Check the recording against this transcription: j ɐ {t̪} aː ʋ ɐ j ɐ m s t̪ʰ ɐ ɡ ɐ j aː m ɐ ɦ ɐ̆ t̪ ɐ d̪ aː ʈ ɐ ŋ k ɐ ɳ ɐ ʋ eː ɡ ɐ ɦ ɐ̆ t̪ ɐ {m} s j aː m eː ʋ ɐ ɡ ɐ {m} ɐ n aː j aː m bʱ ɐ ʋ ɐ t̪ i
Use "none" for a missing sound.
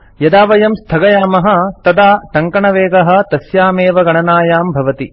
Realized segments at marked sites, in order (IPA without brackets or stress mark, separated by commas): d̪, none, ɳ